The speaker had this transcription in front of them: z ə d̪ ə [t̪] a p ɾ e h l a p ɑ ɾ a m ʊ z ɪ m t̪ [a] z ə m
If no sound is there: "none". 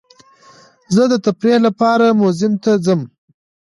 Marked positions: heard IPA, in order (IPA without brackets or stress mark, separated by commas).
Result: t̪, a